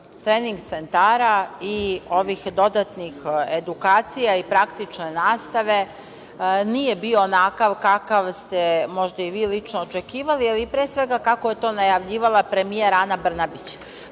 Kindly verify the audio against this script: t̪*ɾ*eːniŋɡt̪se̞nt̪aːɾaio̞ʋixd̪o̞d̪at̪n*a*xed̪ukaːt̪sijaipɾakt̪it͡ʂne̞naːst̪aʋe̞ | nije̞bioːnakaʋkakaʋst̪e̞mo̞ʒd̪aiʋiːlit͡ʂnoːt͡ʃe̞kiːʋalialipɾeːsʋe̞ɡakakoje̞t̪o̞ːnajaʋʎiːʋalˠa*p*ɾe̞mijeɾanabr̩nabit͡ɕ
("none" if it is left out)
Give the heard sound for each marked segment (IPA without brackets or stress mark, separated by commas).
ɾ, i, p